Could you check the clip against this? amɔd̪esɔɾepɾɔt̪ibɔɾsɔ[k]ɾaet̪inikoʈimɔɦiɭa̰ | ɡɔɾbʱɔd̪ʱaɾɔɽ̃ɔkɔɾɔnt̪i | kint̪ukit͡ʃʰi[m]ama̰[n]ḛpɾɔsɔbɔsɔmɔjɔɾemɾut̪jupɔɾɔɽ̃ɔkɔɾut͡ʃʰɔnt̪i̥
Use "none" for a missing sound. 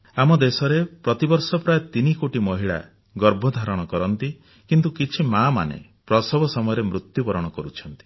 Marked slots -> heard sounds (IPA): p, m, n

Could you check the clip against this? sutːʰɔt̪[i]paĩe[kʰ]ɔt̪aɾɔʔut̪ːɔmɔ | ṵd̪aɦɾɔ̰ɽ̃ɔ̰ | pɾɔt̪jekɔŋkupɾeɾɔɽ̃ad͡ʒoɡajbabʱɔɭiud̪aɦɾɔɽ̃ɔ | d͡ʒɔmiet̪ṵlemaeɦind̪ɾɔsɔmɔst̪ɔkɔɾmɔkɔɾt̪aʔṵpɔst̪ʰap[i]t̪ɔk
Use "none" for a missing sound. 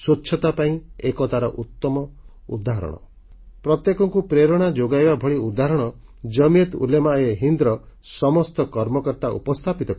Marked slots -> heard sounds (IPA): a, k, i

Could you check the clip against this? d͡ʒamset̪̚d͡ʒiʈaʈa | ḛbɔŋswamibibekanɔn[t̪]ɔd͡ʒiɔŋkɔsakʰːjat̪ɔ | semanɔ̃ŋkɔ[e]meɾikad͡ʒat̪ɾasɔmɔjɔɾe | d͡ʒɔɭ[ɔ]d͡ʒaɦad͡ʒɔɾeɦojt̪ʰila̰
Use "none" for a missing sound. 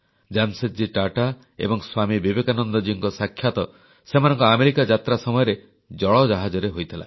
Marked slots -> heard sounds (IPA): d̪, a, ɔ

